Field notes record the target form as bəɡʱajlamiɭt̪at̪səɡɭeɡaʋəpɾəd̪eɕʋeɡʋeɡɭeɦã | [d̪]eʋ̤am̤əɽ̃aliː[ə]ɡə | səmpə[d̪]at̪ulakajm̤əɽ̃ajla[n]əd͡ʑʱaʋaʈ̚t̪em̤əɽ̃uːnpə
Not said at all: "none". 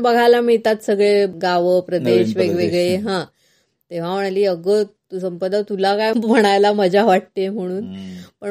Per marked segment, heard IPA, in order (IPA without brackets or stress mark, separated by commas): t̪, ə, d̪, m